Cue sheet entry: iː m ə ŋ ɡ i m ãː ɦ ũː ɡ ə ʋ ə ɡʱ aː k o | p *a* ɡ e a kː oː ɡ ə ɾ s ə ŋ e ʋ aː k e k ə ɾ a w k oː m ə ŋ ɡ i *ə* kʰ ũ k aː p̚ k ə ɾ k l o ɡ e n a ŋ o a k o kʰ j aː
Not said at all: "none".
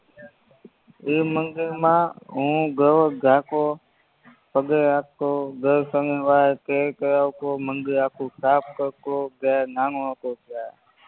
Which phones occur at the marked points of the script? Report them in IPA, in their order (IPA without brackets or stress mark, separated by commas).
ə, a